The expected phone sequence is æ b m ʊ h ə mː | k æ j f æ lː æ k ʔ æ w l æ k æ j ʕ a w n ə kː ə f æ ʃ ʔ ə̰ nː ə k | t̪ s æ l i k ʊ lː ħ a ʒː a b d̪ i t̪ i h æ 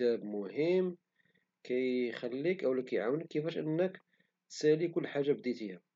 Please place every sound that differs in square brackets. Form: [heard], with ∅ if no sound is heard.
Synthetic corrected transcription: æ b m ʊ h ə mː | k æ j [x] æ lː [i] k ʔ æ w l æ k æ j ʕ a w n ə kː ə f æ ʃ ʔ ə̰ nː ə k | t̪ s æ l i k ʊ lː ħ a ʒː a b d̪ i t̪ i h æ